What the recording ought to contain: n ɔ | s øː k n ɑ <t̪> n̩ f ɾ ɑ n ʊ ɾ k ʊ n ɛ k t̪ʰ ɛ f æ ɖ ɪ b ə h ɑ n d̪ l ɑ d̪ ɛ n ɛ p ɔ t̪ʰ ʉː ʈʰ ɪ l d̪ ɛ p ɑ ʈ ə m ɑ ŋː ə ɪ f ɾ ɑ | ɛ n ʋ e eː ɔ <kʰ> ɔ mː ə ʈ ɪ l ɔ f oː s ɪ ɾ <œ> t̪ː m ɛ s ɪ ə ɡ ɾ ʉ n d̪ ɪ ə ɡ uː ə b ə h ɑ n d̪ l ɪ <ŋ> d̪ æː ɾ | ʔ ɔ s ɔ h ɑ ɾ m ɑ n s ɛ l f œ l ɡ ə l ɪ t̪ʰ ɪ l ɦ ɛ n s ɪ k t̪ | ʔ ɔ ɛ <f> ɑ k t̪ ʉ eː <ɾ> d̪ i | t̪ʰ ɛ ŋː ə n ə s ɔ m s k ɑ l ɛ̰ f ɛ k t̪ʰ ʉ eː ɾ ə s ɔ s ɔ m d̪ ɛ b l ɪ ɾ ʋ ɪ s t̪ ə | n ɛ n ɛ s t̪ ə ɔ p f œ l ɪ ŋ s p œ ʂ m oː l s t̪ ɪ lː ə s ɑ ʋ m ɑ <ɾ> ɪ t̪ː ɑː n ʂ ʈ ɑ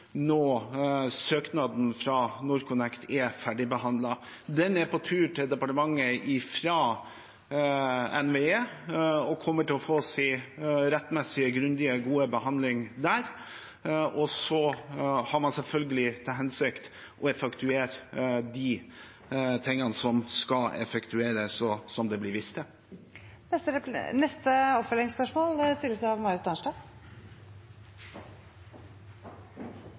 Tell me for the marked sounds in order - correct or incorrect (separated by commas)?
incorrect, correct, incorrect, correct, correct, correct, correct